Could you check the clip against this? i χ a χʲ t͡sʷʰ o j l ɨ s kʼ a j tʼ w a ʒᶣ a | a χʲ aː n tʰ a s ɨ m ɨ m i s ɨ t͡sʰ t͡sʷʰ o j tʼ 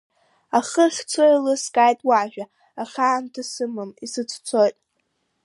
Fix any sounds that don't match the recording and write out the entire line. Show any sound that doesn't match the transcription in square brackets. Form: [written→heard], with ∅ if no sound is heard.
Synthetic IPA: [i→a] χ [a→ə] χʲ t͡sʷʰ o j l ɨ s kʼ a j tʼ w a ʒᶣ a | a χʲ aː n tʰ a s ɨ m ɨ m i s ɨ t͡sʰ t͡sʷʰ o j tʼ